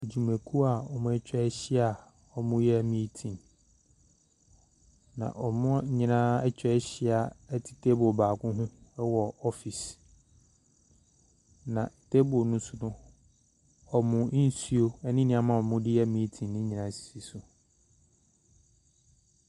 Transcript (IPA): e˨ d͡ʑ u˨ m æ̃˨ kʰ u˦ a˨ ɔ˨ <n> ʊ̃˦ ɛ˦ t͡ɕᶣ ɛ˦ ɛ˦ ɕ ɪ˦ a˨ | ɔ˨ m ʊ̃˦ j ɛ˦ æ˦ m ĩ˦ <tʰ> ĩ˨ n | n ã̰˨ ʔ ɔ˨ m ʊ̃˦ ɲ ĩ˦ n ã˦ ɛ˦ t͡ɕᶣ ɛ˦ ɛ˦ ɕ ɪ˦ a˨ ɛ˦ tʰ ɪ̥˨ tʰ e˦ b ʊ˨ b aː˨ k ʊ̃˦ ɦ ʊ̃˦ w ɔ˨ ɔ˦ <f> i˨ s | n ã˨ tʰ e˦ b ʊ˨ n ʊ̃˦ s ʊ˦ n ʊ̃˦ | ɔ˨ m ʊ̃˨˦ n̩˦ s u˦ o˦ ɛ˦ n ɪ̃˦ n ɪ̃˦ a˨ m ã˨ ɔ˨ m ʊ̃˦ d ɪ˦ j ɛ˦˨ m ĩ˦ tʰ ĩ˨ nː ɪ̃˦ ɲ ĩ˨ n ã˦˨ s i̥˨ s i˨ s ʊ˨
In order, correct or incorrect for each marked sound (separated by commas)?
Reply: incorrect, correct, correct